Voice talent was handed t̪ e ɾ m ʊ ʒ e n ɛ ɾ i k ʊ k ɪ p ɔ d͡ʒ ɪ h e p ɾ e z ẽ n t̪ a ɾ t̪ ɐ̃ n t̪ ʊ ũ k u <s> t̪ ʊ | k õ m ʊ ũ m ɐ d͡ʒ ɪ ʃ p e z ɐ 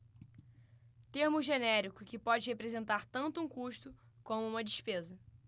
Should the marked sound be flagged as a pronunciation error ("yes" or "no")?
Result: yes